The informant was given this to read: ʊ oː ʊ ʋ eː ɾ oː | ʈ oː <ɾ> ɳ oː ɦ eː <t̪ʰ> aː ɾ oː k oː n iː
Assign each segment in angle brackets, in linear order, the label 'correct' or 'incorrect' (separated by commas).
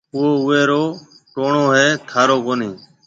incorrect, correct